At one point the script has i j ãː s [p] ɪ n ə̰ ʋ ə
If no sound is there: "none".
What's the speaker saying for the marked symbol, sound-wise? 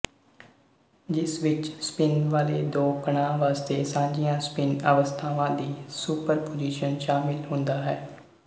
p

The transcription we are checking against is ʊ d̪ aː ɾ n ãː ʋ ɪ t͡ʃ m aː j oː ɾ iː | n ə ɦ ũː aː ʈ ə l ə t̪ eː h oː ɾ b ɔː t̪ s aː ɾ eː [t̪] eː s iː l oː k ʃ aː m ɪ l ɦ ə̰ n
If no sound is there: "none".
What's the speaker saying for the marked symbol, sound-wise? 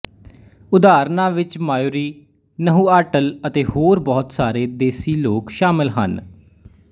d̪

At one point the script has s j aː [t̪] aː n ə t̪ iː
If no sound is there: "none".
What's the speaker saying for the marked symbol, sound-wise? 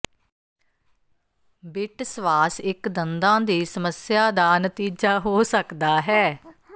d̪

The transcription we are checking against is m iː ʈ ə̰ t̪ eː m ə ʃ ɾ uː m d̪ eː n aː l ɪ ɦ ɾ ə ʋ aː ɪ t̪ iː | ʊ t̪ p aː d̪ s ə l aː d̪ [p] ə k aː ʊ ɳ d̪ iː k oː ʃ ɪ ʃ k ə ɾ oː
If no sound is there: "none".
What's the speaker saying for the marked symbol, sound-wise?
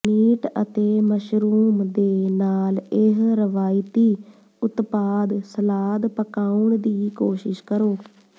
p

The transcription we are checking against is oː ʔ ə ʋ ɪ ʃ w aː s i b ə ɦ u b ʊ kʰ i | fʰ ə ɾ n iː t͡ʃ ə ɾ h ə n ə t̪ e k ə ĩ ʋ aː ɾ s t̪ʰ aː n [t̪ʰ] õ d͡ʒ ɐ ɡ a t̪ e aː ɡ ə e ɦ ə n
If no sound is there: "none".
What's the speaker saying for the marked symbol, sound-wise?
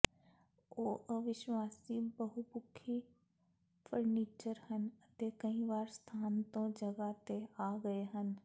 t̪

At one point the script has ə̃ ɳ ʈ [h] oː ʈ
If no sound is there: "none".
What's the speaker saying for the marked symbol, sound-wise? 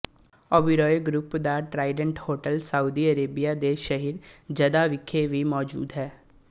h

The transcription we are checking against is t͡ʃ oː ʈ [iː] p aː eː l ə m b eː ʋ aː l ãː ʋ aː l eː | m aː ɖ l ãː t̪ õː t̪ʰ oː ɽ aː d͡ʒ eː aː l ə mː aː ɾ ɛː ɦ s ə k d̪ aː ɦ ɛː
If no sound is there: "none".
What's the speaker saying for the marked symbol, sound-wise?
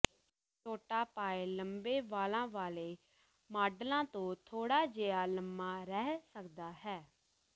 aː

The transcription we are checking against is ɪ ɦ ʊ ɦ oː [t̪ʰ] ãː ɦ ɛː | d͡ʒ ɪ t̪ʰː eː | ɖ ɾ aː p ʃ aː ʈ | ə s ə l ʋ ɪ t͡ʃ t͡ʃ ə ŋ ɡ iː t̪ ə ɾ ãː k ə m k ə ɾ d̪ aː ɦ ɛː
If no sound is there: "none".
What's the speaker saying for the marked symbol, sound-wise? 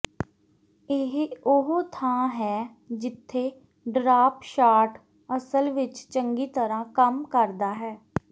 t̪ʰ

